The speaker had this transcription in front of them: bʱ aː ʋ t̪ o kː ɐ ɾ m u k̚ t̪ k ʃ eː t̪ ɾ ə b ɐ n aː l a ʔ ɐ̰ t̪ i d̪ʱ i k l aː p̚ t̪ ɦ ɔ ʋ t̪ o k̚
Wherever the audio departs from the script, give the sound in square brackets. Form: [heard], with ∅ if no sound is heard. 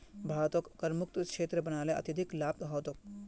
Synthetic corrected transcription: bʱ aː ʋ t̪ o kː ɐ ɾ m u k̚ t̪ k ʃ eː t̪ ɾ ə b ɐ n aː l [e] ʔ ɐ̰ t̪ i d̪ʱ i k l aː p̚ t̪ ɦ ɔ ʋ t̪ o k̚